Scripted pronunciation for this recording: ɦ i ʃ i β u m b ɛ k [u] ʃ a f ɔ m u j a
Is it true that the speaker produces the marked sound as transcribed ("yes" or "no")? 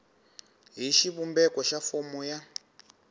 no